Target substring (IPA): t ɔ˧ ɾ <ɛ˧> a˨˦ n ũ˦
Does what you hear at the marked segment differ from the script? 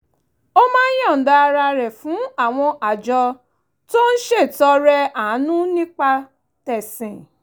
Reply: no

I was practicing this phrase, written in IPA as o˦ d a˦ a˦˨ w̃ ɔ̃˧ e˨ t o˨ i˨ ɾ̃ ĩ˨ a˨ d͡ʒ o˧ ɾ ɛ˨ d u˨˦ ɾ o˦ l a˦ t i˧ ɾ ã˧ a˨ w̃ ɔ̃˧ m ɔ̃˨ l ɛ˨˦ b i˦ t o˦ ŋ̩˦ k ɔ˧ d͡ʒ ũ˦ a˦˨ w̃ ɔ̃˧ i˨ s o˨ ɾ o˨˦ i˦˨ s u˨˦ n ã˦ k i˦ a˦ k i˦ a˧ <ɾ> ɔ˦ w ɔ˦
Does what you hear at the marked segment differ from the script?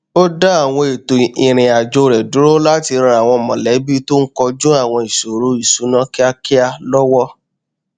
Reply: yes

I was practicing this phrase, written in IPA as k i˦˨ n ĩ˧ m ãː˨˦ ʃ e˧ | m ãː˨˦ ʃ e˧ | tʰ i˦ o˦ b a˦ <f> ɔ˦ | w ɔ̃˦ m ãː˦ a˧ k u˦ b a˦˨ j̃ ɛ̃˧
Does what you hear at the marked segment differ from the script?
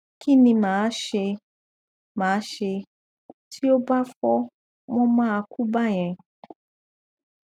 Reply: no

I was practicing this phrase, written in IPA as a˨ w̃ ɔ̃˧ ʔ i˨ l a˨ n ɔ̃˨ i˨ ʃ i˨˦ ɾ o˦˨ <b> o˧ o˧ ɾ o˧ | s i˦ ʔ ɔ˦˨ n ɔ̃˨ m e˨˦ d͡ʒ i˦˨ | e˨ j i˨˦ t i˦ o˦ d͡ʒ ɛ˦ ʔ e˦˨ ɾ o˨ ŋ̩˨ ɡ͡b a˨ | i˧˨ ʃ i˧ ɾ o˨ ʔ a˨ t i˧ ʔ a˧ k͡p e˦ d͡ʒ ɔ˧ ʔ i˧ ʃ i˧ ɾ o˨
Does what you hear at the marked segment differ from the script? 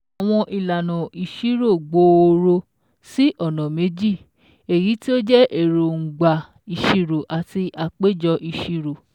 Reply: yes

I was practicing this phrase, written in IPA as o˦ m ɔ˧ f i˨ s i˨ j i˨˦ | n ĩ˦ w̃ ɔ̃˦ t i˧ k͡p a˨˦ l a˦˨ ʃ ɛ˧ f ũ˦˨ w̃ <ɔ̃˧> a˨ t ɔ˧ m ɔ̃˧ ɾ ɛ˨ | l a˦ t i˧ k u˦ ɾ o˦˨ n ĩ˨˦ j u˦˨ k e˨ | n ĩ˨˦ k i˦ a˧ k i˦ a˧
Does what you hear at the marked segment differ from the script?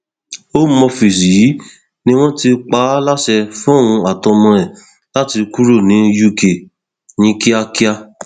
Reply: yes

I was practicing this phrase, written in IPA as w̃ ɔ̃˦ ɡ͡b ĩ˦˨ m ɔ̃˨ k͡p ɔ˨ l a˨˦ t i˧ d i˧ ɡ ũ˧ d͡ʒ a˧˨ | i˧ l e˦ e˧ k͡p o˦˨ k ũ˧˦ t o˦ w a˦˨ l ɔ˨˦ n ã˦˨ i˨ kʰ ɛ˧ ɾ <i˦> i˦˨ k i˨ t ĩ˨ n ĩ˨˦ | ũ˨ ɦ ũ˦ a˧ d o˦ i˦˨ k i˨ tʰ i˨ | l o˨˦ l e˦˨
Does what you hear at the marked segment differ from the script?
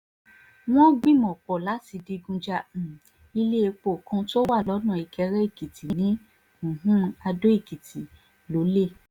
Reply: yes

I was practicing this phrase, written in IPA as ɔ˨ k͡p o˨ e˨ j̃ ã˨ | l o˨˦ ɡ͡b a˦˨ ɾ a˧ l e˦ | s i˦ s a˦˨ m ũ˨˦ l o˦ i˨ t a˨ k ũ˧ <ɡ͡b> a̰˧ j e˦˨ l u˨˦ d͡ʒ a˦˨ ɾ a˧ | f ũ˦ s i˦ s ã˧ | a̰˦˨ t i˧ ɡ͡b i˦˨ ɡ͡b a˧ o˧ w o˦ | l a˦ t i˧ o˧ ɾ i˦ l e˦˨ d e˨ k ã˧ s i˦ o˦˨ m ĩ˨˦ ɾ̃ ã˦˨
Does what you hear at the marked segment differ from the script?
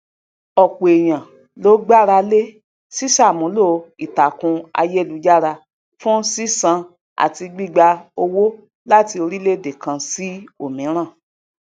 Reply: yes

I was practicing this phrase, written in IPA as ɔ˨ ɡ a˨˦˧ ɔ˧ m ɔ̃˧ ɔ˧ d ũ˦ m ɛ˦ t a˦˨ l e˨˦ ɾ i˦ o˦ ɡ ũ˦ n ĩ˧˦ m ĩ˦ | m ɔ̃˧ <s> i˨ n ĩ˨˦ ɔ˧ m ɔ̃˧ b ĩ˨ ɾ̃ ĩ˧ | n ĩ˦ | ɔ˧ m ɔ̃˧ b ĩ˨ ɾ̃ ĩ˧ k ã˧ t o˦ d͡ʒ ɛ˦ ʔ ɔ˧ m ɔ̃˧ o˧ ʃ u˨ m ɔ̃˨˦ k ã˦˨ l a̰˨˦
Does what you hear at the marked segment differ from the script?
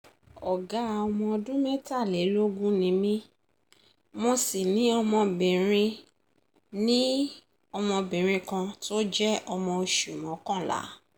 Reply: no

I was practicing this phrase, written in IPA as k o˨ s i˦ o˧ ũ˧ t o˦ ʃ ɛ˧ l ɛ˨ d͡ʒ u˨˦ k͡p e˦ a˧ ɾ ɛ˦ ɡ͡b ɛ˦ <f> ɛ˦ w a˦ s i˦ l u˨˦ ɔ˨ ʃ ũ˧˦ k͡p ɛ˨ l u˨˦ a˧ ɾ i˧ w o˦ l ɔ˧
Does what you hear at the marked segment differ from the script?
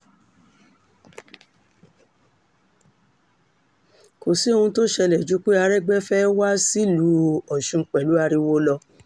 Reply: no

